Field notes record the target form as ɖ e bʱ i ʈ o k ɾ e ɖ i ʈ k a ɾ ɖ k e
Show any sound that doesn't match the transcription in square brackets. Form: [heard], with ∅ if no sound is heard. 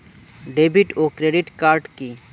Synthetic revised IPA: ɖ e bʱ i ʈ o k ɾ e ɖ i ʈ k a ɾ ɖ k [i]